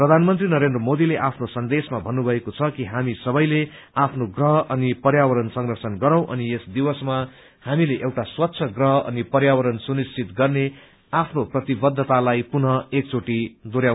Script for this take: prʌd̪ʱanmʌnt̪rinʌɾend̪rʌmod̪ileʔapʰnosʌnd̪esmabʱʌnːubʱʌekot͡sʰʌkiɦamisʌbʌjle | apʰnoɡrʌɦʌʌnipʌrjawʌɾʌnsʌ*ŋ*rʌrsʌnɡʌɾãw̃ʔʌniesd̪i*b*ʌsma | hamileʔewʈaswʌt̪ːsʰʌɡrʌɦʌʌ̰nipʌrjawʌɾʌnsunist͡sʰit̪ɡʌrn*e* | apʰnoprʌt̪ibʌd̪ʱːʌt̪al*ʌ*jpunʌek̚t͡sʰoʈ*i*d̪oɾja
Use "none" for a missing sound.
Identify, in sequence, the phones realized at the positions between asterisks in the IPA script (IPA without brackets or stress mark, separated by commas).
ŋ, w, e, a, i